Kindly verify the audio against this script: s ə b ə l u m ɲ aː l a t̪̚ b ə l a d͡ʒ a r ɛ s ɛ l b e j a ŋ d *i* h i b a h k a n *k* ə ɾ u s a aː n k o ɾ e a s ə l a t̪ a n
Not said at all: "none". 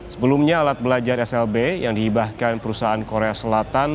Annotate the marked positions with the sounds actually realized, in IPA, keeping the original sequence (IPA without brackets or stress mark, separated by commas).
i, p